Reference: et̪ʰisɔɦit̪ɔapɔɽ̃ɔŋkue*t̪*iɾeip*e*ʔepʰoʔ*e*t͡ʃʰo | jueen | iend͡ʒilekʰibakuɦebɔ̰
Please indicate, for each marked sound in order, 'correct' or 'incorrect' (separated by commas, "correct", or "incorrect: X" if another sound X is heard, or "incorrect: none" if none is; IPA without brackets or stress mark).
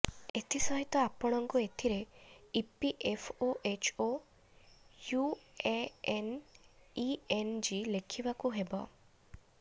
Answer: incorrect: t̪ʰ, incorrect: i, correct